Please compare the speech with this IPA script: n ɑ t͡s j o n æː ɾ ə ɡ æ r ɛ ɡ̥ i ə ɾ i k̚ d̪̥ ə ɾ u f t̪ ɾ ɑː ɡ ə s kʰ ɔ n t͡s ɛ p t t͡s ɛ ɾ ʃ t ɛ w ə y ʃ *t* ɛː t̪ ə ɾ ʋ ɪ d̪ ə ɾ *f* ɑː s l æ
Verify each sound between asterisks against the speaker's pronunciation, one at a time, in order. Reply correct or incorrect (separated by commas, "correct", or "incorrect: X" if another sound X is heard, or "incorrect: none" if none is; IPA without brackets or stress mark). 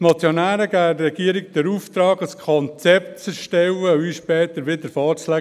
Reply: incorrect: p, correct